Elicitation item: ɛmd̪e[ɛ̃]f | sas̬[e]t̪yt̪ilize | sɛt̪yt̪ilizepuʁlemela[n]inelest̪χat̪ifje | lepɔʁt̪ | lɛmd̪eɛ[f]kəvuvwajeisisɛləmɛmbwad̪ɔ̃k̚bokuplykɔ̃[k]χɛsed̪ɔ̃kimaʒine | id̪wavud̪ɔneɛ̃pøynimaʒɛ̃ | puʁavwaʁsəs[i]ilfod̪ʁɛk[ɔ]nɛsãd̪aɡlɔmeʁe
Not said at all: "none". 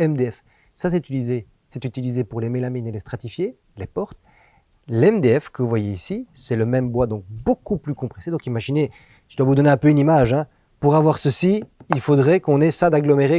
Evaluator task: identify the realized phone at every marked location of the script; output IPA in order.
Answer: ɛ, ɛ, m, f, p, i, ɔ̃

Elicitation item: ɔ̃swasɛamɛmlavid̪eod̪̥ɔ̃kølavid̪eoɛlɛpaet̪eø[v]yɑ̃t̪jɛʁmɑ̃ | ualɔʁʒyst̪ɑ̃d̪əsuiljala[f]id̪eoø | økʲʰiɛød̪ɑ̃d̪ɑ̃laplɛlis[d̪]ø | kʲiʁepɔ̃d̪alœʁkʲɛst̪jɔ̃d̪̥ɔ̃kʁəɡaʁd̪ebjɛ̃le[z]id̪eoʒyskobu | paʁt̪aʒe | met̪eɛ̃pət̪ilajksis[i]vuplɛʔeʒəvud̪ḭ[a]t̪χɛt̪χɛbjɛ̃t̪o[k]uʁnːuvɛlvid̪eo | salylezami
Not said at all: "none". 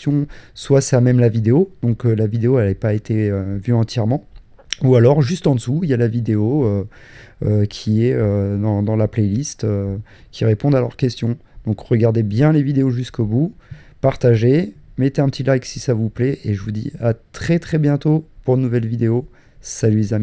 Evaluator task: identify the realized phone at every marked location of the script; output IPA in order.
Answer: v, v, t̪, v, a, a, p

